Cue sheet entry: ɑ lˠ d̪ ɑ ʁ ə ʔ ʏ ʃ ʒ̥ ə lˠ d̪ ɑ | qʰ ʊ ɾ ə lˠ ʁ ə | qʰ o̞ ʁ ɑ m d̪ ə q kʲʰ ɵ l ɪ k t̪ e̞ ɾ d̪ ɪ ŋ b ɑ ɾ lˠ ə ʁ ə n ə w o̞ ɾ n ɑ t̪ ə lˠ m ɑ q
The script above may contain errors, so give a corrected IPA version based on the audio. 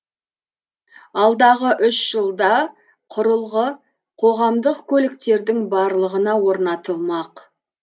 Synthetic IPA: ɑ lˠ d̪ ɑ ʁ ə ʔ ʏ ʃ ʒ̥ ə lˠ d̪ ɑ | qʰ ʊ ɾ ə lˠ ʁ ə | qʰ o̞ ʁ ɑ m d̪ ə q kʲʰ ɵ l ɪ k t̪ e̞ ɾ d̪ ɪ ŋ b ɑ ɾ lˠ ə ʁ ə n ɑ w o̞ ɾ n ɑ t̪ ə lˠ m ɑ q